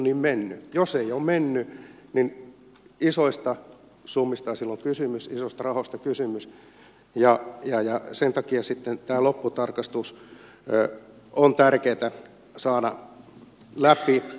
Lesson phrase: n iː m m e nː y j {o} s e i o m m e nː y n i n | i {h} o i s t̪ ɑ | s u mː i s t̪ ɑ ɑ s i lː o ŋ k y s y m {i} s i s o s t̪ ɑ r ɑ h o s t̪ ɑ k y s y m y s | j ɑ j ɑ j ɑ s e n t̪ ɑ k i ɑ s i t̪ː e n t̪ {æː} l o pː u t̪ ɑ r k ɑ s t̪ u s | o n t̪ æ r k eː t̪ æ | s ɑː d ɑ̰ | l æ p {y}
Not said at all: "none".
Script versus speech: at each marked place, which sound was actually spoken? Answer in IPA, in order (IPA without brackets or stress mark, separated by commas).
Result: o, s, y, æː, i